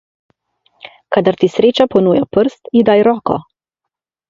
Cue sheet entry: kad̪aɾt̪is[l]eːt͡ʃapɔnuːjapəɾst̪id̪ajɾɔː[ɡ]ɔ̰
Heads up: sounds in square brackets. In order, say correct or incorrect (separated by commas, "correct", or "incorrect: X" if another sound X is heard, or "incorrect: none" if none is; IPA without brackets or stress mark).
incorrect: ɾ, incorrect: k